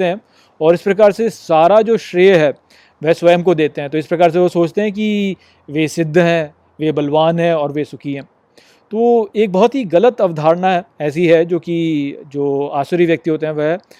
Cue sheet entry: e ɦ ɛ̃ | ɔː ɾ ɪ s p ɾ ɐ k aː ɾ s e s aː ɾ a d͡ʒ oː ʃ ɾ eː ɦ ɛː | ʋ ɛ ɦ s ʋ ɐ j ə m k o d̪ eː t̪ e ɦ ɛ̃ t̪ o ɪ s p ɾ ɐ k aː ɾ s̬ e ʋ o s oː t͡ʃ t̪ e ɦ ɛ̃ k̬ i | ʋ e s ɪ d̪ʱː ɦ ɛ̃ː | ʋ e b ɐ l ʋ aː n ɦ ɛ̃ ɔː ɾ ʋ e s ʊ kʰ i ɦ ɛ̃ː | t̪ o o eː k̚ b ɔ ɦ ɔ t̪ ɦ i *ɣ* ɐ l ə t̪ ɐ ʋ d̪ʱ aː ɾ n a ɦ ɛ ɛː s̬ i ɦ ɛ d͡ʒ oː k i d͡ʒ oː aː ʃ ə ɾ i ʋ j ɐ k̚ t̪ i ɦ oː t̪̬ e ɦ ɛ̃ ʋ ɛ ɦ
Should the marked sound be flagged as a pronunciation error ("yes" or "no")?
no